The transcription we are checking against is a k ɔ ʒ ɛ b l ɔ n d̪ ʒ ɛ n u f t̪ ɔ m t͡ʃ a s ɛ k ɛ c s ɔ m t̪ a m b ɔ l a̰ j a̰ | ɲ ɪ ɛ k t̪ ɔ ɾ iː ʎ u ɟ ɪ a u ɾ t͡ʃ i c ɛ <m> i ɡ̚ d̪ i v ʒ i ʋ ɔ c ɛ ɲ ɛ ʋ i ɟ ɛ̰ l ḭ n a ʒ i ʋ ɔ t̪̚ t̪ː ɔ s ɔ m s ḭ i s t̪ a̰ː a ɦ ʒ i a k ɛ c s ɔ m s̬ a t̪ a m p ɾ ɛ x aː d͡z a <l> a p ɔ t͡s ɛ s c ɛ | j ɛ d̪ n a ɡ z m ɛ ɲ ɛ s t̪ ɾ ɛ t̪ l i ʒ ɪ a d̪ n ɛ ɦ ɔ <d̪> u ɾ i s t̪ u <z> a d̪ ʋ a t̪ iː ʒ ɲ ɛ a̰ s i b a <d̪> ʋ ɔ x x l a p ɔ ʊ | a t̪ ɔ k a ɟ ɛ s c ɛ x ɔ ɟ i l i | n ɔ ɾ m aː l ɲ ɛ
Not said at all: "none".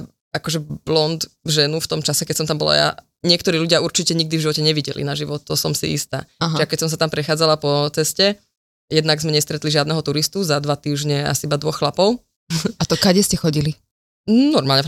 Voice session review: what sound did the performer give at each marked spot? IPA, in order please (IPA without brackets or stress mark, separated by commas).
ɲ, l, t̪, z, d̪